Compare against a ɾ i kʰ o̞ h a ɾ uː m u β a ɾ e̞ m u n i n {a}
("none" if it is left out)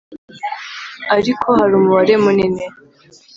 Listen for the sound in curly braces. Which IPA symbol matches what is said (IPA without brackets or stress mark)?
e